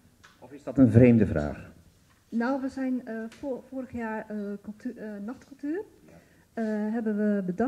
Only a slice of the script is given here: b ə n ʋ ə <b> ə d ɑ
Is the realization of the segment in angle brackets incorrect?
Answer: no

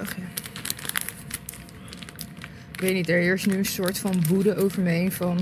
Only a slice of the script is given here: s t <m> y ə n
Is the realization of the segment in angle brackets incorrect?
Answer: yes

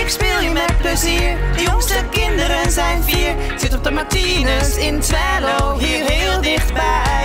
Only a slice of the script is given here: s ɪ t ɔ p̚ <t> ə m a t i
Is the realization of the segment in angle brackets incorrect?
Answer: yes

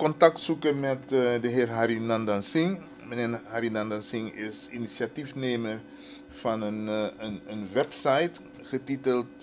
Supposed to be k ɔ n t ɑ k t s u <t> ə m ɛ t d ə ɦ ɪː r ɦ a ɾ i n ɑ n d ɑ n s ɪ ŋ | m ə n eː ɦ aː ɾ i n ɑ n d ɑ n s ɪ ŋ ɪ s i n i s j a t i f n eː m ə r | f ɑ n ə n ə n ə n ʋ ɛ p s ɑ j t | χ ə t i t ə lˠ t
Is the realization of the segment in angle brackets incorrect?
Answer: yes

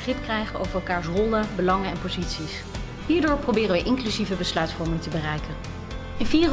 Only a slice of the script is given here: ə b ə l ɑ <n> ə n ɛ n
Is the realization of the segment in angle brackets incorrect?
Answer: yes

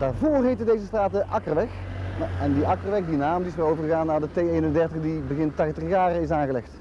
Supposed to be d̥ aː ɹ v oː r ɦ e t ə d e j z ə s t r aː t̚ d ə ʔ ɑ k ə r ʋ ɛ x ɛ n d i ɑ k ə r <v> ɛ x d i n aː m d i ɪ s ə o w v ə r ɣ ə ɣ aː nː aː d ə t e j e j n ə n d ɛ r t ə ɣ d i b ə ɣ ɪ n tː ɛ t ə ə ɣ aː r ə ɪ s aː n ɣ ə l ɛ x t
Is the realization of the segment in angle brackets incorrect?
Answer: yes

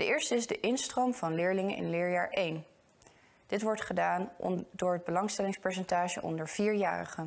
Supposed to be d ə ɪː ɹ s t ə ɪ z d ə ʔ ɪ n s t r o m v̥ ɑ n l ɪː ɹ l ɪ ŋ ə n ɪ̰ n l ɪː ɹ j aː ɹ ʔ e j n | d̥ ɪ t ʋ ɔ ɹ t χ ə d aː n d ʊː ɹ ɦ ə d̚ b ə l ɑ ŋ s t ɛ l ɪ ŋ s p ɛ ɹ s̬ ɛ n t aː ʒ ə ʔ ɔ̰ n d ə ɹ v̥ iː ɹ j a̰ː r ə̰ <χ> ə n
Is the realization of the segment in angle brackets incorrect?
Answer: no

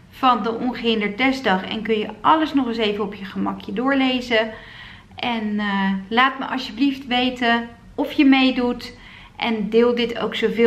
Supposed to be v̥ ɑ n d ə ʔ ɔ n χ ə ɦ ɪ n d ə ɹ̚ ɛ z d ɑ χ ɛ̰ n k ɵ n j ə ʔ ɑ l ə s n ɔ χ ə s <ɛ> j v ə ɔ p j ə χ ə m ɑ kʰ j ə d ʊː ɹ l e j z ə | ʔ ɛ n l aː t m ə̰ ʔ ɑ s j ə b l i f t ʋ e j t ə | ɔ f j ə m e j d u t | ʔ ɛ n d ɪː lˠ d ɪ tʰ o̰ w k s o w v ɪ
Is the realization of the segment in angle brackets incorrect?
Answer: yes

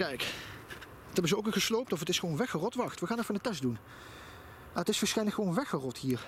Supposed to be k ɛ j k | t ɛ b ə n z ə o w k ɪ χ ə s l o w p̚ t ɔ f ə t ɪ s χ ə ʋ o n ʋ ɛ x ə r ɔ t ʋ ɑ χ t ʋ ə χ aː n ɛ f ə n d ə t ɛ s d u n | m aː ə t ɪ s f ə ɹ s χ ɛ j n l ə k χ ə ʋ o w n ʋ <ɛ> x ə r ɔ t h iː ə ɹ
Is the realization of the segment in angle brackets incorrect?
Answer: no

